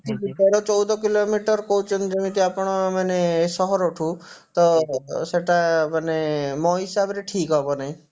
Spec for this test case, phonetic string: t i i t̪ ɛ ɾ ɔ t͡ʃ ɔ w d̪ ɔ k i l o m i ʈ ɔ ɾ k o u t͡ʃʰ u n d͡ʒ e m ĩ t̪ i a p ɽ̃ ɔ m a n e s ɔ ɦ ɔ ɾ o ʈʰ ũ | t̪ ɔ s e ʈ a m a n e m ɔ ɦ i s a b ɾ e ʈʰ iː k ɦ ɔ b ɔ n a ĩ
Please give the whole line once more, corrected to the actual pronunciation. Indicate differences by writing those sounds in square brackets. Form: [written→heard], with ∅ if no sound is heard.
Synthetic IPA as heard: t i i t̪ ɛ ɾ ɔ t͡ʃ ɔ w d̪ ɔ k i l o m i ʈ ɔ ɾ k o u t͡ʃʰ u n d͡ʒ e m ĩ t̪ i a p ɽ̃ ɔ m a n e s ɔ ɦ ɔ ɾ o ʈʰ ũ | t̪ ɔ s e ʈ a m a n e m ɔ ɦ i s a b ɾ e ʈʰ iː k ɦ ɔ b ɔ n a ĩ